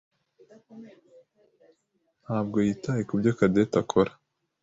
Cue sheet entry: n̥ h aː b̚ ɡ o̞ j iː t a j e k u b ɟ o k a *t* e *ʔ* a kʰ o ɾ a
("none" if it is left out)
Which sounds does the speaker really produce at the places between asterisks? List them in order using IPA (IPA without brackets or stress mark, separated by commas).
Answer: d, t